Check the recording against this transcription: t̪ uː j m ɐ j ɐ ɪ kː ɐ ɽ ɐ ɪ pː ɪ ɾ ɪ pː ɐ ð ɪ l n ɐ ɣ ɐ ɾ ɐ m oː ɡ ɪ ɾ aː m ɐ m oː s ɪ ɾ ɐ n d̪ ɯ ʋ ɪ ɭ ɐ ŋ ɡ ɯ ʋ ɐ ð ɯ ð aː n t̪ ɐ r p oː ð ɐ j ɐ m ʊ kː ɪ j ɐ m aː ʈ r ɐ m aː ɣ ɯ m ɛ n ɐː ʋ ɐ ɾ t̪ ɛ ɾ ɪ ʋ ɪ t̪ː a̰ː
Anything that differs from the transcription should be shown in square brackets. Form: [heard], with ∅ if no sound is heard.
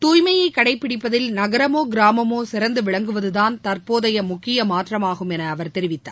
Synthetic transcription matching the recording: t̪ uː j m ɐ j ɐ ɪ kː ɐ ɽ ɐ ɪ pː ɪ [ɽ] ɪ pː ɐ ð ɪ l n ɐ ɣ ɐ ɾ ɐ m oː ɡ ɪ ɾ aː m ɐ m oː s ɪ ɾ ɐ n d̪ ɯ ʋ ɪ ɭ ɐ ŋ ɡ ɯ ʋ ɐ ð ɯ ð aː n t̪ ɐ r p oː ð ɐ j ɐ m ʊ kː ɪ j ɐ m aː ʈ r ɐ m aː ɣ ɯ m ɛ n ɐː ʋ ɐ ɾ t̪ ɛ ɾ ɪ ʋ ɪ t̪ː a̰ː